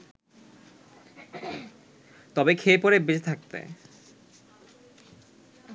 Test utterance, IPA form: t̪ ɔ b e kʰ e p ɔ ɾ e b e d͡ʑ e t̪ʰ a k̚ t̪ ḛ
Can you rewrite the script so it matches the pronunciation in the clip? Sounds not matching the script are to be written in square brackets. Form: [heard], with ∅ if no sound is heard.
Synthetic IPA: t̪ ɔ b e kʰ e p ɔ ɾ e b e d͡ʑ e t̪ʰ a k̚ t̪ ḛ